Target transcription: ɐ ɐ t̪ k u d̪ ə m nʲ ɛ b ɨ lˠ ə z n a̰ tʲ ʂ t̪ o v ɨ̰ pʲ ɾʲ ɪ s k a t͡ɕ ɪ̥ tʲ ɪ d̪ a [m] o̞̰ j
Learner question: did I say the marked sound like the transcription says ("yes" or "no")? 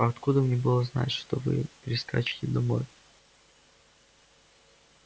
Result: yes